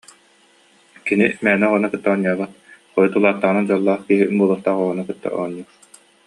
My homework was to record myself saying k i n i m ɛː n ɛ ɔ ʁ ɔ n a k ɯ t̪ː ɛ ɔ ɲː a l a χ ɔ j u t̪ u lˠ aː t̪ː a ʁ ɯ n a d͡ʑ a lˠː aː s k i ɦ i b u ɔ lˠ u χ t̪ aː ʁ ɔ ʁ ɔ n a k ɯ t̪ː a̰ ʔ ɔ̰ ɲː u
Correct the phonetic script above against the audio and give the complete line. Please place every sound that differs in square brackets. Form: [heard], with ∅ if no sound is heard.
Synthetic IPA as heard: k i n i m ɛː n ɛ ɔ ʁ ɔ n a k ɯ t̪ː [a] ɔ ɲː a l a χ ɔ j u t̪ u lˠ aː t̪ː a ʁ ɯ n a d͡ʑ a lˠː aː [χ] k i ɦ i b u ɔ lˠ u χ t̪ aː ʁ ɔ ʁ ɔ n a k ɯ t̪ː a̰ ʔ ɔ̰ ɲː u